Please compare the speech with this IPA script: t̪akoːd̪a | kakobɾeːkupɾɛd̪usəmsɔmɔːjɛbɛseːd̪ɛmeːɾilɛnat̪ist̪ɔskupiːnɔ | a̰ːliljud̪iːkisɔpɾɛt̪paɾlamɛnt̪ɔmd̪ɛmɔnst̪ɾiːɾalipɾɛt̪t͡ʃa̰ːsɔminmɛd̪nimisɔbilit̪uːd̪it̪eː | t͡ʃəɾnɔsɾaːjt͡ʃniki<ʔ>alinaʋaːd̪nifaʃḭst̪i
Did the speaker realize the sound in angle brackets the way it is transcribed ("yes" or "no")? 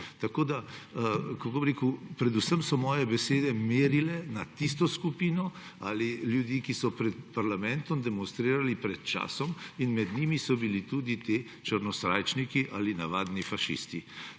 yes